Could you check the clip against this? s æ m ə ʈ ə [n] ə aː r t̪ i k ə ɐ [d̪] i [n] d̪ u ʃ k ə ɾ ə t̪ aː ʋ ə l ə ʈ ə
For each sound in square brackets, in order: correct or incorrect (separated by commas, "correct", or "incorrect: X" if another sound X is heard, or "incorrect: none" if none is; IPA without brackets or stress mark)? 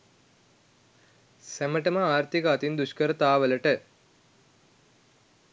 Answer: incorrect: m, incorrect: t̪, correct